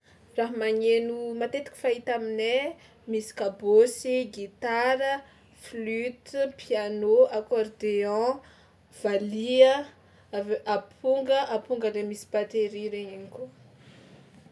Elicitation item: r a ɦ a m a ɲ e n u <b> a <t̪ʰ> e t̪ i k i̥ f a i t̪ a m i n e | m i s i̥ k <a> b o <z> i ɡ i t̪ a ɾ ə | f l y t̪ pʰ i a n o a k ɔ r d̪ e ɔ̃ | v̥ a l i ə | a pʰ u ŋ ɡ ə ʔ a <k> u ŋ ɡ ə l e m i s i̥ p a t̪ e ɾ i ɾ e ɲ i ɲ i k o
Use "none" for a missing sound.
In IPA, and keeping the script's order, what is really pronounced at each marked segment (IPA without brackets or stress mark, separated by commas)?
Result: m, t̪, a, s, p